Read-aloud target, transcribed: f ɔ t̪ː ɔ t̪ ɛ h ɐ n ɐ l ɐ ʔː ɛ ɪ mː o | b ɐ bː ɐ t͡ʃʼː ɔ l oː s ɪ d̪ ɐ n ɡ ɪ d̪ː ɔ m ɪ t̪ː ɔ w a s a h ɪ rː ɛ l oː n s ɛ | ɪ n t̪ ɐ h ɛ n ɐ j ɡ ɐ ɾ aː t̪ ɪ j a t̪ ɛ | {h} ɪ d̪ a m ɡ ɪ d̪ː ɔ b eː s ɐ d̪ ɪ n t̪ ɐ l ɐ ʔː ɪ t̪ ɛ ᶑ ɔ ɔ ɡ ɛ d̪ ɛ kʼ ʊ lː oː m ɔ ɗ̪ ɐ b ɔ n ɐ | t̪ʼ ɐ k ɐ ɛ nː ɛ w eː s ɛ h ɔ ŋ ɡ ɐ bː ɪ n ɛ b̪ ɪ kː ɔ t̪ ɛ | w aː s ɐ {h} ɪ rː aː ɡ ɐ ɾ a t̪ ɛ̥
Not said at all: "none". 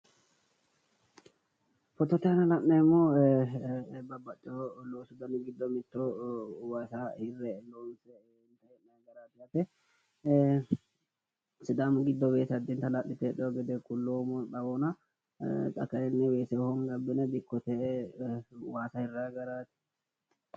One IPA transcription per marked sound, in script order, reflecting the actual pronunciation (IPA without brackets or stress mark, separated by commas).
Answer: s, h